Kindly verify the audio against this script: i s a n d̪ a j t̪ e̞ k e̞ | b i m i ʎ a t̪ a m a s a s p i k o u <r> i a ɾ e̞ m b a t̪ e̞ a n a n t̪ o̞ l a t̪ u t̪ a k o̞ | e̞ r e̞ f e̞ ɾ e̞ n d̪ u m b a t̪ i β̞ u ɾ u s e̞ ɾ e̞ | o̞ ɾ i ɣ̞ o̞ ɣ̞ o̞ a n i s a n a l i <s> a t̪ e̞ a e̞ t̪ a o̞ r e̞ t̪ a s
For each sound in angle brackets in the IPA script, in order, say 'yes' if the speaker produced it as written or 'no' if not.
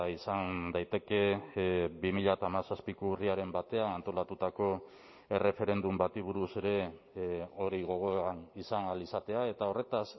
yes, yes

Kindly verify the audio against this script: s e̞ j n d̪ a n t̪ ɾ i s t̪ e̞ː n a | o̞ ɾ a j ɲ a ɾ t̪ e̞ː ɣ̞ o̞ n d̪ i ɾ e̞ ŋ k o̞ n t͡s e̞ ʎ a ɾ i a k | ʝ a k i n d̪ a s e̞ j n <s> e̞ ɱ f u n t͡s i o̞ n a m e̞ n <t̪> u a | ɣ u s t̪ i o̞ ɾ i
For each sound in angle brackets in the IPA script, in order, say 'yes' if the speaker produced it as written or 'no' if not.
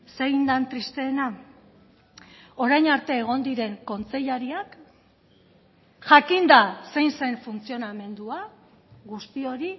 yes, no

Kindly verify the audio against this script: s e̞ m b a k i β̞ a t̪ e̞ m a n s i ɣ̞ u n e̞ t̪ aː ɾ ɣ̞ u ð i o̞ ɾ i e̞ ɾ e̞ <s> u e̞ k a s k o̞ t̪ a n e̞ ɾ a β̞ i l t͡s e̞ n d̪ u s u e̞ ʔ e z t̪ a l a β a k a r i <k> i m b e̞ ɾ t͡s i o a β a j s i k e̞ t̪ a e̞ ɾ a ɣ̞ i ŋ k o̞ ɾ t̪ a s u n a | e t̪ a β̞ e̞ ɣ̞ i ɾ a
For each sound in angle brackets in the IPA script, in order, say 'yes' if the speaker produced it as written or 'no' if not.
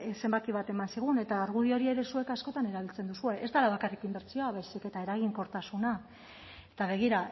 yes, yes

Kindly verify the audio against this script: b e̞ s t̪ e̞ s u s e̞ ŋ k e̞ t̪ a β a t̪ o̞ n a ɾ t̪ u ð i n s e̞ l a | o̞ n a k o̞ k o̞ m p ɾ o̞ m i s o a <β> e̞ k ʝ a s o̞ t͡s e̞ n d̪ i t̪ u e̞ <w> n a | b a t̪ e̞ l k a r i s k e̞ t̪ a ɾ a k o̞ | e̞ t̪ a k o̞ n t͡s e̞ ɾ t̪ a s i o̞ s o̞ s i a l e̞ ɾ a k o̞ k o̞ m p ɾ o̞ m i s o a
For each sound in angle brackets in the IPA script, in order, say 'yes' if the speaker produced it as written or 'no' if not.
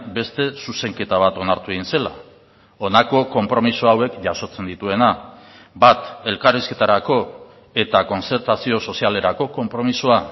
no, no

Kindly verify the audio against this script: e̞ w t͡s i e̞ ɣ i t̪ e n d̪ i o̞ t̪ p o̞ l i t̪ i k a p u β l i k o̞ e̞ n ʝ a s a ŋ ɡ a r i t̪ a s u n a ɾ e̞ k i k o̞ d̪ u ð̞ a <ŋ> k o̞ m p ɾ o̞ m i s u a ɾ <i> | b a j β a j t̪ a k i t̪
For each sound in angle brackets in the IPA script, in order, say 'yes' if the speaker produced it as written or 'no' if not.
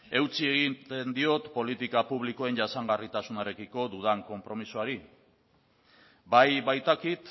yes, yes

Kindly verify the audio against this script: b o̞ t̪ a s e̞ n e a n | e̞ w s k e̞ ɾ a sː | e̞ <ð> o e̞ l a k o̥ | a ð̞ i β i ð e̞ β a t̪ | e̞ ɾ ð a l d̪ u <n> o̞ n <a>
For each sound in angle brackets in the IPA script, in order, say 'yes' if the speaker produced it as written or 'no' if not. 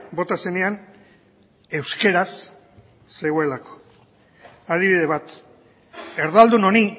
no, yes, no

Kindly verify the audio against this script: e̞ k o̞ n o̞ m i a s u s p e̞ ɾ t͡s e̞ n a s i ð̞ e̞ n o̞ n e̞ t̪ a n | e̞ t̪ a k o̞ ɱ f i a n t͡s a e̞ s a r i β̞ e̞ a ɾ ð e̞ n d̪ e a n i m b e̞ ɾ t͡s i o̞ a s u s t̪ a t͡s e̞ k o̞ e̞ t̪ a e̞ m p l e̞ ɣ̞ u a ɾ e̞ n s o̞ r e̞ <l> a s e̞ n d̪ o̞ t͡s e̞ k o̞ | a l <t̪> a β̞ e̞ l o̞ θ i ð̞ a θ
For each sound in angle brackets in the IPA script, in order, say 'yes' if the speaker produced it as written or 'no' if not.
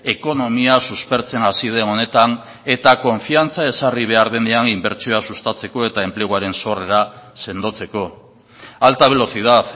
no, yes

